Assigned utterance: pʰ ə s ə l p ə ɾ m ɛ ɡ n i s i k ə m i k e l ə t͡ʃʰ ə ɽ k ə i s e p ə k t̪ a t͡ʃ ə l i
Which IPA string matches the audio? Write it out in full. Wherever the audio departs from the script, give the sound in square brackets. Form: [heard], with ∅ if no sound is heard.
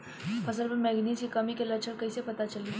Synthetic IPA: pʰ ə s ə l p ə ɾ m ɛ ɡ n i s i k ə m i k e l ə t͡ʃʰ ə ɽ k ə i s e p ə [∅] t̪ a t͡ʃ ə l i